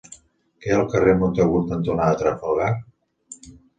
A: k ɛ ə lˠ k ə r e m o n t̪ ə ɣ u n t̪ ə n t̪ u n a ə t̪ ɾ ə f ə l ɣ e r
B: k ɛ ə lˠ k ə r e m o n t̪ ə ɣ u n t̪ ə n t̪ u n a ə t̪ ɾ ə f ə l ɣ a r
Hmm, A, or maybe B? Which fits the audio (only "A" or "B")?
B